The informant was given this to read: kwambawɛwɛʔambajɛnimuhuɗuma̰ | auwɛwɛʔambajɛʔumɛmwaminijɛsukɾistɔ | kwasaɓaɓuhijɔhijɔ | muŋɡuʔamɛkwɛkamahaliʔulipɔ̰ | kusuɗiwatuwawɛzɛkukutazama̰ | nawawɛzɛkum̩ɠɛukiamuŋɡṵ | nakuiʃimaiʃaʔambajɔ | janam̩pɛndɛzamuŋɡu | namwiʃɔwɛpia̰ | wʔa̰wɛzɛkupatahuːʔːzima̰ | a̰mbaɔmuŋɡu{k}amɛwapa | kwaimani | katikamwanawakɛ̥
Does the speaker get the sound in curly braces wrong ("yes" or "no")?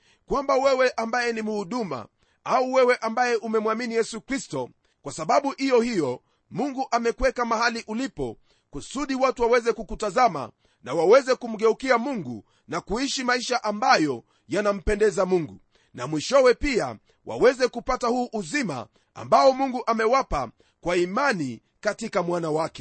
yes